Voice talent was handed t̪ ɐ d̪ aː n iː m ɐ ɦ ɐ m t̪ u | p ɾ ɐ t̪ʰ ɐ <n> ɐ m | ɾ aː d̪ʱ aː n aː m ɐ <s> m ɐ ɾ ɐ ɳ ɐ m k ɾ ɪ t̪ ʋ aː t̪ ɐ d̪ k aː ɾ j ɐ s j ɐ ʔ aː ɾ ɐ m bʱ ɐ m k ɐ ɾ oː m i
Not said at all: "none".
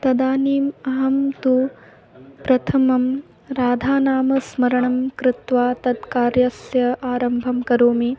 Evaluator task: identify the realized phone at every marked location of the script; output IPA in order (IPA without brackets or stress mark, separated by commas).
m, s